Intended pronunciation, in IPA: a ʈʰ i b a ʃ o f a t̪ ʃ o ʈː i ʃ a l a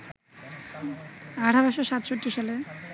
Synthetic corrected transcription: a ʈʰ a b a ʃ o ʃ a t̪ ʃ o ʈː i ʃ a l e